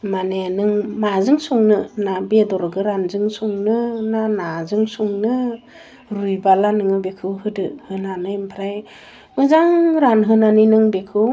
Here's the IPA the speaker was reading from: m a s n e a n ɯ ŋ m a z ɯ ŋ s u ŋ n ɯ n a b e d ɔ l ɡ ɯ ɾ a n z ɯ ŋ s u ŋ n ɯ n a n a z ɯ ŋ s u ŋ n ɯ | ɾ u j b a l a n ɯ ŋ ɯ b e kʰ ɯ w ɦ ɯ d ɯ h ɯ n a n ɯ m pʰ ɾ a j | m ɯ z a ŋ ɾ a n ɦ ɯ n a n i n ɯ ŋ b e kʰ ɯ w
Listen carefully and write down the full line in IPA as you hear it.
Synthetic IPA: m a n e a n ɯ ŋ m a z ɯ ŋ s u ŋ n ɯ n a b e d ɔ ɾ ɡ ɯ ɾ a n z ɯ ŋ s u ŋ n ɯ n a n a z ɯ ŋ s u ŋ n ɯ | ɾ u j b a l a n ɯ ŋ ɯ b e kʰ ɯ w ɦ ɯ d ɯ h ɯ n a n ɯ m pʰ ɾ a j | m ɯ z a ŋ ɾ a n ɦ ɯ n a n i n ɯ ŋ b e kʰ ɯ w